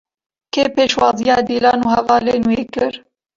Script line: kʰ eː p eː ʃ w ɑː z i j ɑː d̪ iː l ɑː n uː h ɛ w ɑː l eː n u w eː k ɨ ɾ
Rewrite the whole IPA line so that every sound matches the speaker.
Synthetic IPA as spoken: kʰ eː p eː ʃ w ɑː z i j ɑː d̪ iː l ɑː n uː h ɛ v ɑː l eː n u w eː k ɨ ɾ